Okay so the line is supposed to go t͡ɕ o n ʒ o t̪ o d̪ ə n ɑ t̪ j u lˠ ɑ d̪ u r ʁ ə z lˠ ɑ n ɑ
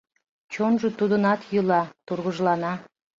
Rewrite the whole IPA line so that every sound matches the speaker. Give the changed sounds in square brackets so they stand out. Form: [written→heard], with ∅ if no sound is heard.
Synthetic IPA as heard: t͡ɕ o n ʒ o t̪ [o→u] d̪ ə n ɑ t̪ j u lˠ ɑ [d̪→t̪] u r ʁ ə [z→ʒ] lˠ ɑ n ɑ